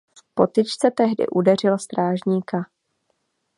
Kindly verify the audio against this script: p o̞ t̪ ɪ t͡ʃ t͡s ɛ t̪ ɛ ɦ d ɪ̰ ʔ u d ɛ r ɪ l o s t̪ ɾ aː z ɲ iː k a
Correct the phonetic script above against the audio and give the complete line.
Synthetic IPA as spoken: p o̞ t̪ ɪ t͡ʃ t͡s ɛ t̪ ɛ ɦ d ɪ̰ ʔ u d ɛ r ɪ l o s t̪ ɾ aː ʒ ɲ iː k a